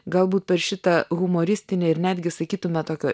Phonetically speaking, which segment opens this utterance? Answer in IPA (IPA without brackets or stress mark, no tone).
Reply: ɡ